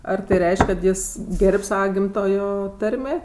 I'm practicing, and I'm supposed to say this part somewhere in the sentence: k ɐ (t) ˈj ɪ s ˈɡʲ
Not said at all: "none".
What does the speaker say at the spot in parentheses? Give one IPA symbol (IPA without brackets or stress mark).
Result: t